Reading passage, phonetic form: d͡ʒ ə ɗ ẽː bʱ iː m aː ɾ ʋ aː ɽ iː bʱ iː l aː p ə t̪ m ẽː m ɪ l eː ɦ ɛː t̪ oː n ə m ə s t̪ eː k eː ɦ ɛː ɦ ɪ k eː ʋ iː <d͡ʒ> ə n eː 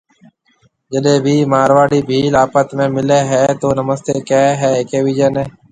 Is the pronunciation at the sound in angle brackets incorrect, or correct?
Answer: correct